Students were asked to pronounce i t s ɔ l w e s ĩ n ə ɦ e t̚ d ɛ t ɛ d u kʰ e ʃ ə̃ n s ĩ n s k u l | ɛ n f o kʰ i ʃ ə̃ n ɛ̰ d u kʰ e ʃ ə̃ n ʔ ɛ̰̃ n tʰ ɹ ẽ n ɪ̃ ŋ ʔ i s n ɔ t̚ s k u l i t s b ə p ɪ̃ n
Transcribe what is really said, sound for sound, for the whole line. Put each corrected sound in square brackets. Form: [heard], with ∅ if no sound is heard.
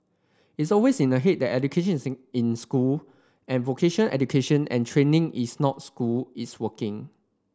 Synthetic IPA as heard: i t s ɔ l w e s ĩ n ə ɦ e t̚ d ɛ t ɛ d u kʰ e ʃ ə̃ n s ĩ n s k u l | [ɛ̃] n [v] o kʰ [e] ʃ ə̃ n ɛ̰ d u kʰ e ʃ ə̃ n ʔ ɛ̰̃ n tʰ ɹ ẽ n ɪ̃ ŋ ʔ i s n ɔ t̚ s k u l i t s [w] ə [k] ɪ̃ [ŋ]